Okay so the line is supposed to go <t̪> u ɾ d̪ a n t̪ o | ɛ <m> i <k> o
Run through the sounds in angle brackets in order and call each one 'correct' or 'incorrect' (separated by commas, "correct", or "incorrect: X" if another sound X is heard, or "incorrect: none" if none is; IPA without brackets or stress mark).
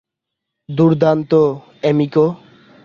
incorrect: d̪, correct, correct